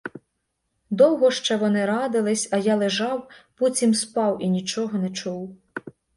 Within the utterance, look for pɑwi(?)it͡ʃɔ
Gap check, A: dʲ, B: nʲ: B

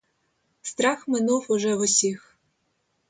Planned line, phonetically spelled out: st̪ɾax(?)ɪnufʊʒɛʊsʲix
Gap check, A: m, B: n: A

